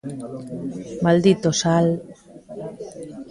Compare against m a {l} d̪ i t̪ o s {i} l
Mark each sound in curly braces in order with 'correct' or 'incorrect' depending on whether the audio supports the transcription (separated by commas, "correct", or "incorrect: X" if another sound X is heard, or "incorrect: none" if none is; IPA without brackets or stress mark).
correct, incorrect: a